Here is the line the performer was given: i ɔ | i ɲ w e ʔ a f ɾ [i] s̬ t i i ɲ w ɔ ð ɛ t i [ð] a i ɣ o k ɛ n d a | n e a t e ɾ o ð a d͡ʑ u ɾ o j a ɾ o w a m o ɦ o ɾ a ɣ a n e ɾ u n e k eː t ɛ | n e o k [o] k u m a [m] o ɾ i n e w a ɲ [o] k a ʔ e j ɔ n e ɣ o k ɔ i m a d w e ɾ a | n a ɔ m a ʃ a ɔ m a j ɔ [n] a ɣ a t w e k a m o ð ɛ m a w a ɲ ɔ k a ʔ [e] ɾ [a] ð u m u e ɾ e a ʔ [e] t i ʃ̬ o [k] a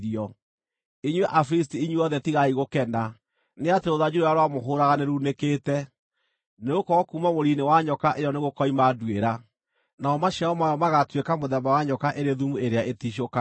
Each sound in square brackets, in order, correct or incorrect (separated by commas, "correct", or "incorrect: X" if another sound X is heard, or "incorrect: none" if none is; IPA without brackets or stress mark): correct, incorrect: ɣ, incorrect: ɔ, correct, incorrect: ɔ, incorrect: m, correct, incorrect: e, correct, correct